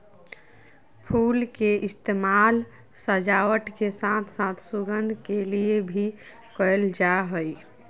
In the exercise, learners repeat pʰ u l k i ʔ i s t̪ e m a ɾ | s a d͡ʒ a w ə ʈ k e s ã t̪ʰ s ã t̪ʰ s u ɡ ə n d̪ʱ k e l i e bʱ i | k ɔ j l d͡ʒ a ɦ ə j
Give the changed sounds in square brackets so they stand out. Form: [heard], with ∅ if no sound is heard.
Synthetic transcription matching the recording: pʰ u l k [e] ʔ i s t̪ e m a [l] | s [ə] d͡ʒ a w ə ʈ k e s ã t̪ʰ s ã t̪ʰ s u ɡ ə n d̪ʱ k e l i e bʱ i | k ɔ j l d͡ʒ a ɦ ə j